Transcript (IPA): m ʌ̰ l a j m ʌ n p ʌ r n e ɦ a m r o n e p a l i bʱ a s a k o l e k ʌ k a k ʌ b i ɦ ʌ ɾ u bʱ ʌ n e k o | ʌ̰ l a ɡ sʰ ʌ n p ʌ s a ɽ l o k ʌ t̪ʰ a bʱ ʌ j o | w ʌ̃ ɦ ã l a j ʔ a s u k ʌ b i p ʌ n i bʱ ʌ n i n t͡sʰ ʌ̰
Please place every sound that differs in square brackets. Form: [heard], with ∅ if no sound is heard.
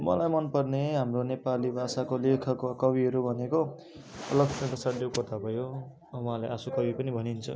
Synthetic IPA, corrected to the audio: m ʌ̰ l a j m ʌ n p ʌ r n e ɦ a m r o n e p a l i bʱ a s a k o l e [kʰ] ʌ k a k ʌ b i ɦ ʌ ɾ u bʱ ʌ n e k o | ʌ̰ l [ʌ] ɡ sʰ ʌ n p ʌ s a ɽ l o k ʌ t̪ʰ a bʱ ʌ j o | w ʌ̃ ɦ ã l a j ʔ a s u k ʌ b i p ʌ n i bʱ ʌ n i n t͡sʰ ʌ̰